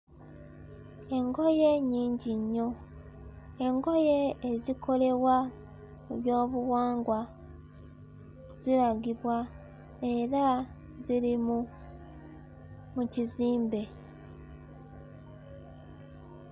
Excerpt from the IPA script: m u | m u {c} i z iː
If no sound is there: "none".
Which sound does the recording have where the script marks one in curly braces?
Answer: c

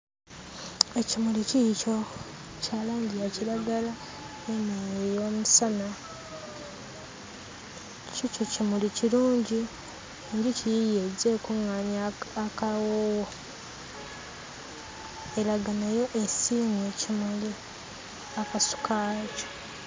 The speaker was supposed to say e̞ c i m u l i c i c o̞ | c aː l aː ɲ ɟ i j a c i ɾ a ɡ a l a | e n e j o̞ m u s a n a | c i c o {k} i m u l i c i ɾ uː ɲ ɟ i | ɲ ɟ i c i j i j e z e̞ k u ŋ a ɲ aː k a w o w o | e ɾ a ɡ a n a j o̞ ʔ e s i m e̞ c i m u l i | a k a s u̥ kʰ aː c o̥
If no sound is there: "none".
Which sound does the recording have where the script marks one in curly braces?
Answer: c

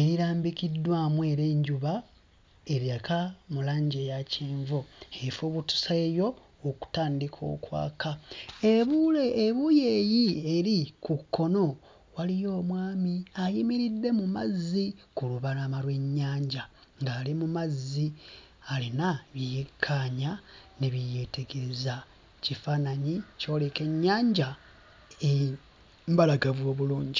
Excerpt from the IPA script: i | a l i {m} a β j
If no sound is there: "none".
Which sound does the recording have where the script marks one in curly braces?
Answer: n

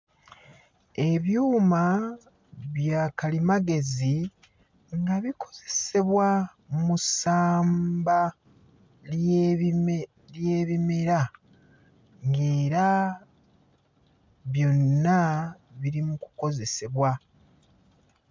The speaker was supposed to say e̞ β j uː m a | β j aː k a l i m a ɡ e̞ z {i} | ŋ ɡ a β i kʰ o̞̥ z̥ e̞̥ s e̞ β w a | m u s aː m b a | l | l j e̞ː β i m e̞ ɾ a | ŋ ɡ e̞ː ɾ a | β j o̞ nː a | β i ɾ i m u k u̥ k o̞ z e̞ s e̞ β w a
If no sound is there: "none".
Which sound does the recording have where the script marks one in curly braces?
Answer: i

